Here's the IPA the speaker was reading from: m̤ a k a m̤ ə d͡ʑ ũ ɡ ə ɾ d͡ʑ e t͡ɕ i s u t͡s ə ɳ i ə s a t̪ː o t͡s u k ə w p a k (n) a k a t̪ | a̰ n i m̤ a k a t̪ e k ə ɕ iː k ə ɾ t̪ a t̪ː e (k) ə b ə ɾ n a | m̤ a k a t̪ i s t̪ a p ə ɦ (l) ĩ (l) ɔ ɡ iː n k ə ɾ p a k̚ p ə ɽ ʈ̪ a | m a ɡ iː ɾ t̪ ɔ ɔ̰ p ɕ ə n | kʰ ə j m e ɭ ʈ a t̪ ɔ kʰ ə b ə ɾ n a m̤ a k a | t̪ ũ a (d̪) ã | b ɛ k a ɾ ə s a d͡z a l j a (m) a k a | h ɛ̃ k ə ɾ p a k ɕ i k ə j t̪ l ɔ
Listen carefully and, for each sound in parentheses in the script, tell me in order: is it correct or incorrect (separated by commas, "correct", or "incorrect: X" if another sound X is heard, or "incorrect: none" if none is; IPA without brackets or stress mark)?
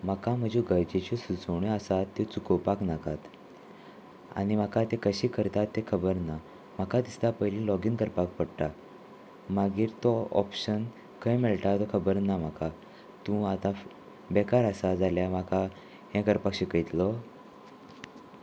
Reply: correct, incorrect: kʰ, correct, correct, incorrect: t̪, correct